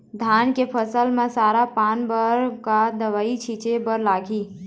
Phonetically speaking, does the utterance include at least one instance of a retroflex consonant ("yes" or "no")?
no